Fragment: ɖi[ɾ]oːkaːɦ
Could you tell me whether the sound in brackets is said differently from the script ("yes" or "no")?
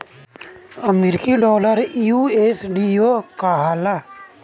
yes